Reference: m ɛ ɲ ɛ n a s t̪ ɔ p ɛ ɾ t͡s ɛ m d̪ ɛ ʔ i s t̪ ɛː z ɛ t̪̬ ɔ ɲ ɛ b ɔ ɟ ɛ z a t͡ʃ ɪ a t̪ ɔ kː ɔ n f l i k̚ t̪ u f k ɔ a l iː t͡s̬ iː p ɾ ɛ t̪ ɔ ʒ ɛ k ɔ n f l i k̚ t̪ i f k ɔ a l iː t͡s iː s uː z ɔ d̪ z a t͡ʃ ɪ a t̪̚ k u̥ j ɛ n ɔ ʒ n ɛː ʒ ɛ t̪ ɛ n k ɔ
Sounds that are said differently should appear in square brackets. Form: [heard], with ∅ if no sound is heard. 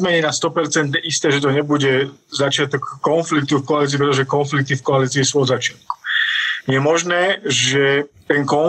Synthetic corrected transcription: m ɛ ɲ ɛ n a s t̪ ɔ p ɛ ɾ t͡s ɛ [n] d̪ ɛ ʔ i s t̪ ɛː [ʒ] ɛ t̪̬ ɔ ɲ ɛ b [u] ɟ ɛ z a t͡ʃ ɪ a t̪ ɔ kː ɔ n f l i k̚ t̪ u f k ɔ a l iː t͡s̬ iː p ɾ ɛ t̪ ɔ ʒ ɛ k ɔ n f l i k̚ t̪ i f k ɔ a l iː t͡s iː s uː [∅] ɔ d̪ z a t͡ʃ ɪ a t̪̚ k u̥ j ɛ [m] ɔ ʒ n ɛː ʒ ɛ t̪ ɛ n k ɔ